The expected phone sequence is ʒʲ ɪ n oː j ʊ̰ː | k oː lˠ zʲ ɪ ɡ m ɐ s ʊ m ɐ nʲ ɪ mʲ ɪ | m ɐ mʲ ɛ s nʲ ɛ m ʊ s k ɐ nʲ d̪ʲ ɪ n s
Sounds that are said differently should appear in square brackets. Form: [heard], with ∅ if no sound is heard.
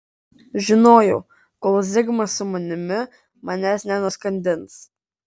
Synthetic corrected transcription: ʒʲ ɪ n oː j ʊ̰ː | k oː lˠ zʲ ɪ ɡ m ɐ s ʊ m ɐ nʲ ɪ mʲ ɪ | m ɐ [nʲ] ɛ s nʲ ɛ [n] ʊ s k ɐ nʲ d̪ʲ ɪ n s